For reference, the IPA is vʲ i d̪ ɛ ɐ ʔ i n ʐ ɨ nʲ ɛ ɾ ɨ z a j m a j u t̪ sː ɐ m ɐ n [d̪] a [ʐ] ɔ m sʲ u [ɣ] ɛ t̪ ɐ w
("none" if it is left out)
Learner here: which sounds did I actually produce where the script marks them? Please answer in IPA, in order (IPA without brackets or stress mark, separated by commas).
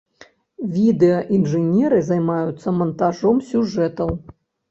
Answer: t̪, ʐ, ʐ